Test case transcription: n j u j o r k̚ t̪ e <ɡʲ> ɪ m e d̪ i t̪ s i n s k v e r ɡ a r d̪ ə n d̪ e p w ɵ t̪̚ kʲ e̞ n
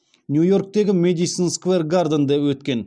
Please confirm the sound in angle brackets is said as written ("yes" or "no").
yes